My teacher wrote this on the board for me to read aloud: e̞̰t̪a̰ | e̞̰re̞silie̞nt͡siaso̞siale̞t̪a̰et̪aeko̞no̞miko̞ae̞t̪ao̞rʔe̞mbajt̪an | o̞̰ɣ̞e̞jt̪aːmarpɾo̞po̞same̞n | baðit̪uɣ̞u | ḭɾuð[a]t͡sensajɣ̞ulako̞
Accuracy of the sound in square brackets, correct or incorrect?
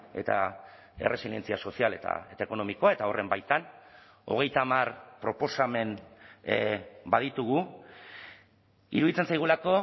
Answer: incorrect